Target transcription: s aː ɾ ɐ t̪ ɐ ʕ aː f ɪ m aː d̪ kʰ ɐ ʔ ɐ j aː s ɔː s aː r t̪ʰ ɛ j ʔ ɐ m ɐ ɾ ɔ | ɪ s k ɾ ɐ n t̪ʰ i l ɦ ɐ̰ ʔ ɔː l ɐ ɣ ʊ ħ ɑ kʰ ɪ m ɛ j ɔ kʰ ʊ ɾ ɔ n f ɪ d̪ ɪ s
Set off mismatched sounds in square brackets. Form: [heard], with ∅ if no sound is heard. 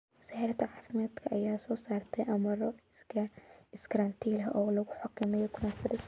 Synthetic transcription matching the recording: s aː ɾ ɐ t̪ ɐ ʕ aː f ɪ m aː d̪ kʰ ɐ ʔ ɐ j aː s ɔː s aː r t̪ʰ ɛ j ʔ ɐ m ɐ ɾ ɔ | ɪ s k ɾ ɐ n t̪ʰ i l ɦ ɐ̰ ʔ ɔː l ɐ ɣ ʊ ħ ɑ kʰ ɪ m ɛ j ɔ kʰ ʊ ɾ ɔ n f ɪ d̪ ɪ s

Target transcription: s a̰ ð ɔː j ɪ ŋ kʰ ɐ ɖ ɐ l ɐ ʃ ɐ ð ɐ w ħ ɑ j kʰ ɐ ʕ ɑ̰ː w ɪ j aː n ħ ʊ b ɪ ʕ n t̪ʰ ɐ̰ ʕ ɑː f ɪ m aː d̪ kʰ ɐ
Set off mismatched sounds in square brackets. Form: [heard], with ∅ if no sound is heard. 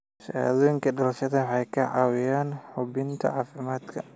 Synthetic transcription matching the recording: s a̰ ð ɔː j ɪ ŋ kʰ ɐ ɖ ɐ l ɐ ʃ ɐ ð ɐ w ħ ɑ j kʰ ɐ ʕ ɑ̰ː w ɪ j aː n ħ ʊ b ɪ [∅] n t̪ʰ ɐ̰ ʕ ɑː f ɪ m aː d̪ kʰ ɐ

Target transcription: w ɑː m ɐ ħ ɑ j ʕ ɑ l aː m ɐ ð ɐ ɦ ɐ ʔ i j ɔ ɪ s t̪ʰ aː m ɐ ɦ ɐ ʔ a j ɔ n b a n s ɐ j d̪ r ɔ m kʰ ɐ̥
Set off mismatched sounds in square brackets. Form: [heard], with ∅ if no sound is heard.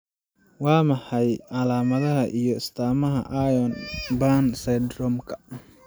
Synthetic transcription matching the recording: w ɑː m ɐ ħ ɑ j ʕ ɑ l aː m ɐ ð ɐ ɦ ɐ ʔ i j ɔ ɪ s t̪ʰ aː m ɐ ɦ ɐ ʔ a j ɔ n b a n s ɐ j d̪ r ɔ m kʰ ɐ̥

